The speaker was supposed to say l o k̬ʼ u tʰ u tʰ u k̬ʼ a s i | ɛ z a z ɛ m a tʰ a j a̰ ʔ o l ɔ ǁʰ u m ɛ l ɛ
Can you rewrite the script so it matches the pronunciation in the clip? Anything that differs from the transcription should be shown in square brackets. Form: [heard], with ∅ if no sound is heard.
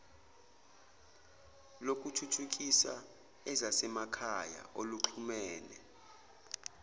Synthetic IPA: l o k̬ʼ u tʰ u tʰ u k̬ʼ [i] s [a] | ɛ z a [s] ɛ m a [kʰ] a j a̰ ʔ o l [u] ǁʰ u m [ɛː] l ɛ